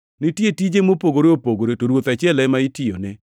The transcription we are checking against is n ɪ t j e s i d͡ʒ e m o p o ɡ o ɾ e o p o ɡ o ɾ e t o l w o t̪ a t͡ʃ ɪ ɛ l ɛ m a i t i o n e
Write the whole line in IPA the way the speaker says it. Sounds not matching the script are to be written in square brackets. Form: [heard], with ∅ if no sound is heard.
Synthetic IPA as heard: n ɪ t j e [t] i d͡ʒ e m o p o ɡ o ɾ e o p o ɡ o ɾ e t o [ɾ] w o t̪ a t͡ʃ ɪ ɛ l ɛ m a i t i o n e